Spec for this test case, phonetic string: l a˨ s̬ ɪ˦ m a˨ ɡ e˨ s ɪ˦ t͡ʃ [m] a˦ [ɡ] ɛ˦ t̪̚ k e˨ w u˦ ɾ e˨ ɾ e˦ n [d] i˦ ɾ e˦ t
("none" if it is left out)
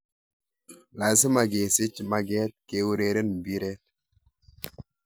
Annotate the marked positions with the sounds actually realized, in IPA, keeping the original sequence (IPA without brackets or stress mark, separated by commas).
m, ɡ, b